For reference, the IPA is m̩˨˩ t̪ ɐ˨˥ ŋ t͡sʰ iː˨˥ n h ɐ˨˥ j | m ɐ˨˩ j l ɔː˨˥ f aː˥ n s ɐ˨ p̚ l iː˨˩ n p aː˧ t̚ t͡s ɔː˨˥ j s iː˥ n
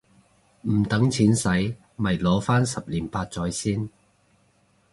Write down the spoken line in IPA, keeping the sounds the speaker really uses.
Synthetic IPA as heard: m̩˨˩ t̪ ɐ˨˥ ŋ t͡sʰ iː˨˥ n s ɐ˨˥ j | m ɐ˨˩ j l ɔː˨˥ f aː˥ n s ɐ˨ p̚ l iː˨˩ n p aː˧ t̚ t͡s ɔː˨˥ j s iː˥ n